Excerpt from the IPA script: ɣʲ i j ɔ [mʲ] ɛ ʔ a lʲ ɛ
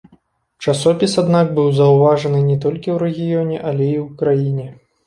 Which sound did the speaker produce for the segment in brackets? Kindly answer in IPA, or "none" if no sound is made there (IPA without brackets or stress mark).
nʲ